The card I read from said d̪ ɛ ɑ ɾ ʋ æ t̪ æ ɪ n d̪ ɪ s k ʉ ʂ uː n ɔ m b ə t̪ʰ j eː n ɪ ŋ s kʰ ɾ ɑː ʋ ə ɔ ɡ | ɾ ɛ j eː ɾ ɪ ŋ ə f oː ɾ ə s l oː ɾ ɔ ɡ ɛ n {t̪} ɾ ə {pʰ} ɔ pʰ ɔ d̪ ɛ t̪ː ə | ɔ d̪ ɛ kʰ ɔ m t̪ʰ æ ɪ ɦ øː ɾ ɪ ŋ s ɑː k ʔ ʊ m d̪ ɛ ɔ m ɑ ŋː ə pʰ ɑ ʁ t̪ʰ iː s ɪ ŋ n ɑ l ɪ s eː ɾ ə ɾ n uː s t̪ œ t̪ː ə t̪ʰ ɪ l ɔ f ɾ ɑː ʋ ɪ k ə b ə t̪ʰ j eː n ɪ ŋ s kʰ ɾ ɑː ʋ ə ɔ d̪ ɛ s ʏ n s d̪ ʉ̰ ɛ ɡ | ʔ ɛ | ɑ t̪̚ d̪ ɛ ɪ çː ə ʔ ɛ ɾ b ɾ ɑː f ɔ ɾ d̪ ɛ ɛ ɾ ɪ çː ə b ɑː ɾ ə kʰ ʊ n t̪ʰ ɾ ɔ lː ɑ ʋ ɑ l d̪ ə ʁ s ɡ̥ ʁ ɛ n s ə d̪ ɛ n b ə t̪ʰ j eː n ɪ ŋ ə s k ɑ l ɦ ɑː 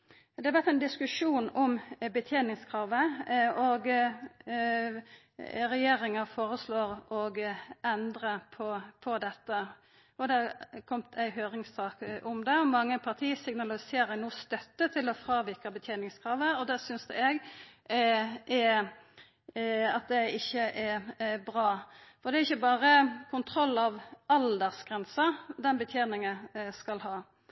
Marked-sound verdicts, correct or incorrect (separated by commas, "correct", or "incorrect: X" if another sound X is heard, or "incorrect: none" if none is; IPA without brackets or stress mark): incorrect: d̪, correct